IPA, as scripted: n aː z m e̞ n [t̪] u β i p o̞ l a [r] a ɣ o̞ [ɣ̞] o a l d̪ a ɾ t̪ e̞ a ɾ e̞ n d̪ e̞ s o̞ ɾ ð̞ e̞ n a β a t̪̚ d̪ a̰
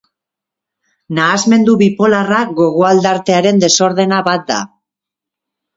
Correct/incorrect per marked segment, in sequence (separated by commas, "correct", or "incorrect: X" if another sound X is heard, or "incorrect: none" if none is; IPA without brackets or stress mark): incorrect: d̪, correct, correct